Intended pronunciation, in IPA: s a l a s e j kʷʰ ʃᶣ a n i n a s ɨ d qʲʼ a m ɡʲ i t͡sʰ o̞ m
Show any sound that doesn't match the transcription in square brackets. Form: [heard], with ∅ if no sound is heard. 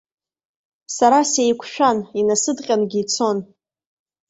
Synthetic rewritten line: s a [ɾ] a s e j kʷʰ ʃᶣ a n i n a s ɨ d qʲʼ a [n] ɡʲ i t͡sʰ o̞ [n]